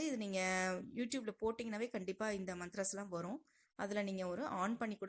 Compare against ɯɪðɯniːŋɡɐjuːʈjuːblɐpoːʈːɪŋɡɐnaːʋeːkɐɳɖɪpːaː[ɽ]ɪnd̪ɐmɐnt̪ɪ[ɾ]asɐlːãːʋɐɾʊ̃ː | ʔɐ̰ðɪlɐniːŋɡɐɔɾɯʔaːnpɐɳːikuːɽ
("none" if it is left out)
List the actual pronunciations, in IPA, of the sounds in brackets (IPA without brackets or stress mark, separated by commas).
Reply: none, ɾ